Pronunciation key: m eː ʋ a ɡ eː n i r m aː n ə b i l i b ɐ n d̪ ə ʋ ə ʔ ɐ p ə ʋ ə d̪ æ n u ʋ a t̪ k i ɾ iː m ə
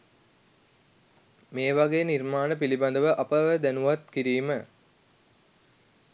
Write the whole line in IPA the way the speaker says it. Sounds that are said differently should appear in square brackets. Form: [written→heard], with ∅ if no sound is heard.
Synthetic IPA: m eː ʋ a ɡ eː n i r m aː n ə [b→p] i l i b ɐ n d̪ ə ʋ ə ʔ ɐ p ə ʋ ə d̪ æ n u ʋ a t̪ k i ɾ iː m ə